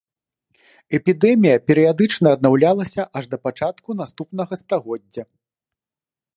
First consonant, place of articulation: labial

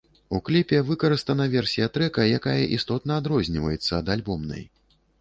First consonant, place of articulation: velar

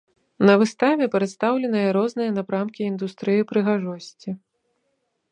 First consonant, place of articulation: alveolar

